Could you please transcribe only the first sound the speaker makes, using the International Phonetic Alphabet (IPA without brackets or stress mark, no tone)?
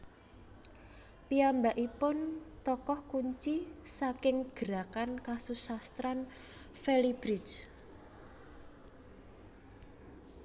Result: p